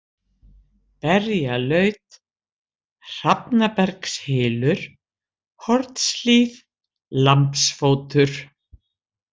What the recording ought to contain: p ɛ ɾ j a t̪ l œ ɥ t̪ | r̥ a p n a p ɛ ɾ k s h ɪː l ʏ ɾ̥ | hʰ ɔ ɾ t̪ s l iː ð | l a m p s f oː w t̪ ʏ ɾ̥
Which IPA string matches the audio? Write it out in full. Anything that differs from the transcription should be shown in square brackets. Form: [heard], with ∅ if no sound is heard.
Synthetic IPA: p ɛ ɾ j a [∅] l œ ɥ t̪ | r̥ a p n a p ɛ ɾ k s h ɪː l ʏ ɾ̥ | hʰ ɔ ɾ t̪ s l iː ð | l a m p s f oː w t̪ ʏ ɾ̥